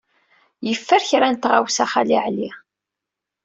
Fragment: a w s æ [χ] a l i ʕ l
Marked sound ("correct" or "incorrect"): correct